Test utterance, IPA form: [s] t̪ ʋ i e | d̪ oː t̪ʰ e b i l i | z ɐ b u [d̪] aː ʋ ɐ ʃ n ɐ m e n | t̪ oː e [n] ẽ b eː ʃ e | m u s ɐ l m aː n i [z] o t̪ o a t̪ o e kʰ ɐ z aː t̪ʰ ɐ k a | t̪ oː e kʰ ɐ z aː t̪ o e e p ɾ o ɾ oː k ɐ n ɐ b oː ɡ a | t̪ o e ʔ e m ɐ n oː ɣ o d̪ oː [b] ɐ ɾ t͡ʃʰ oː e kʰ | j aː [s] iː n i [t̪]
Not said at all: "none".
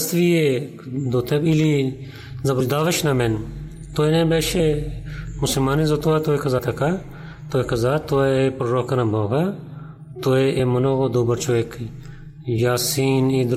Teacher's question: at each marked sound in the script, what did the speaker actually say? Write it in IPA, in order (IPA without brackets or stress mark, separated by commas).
s, d̪, n, z, b, s, d̪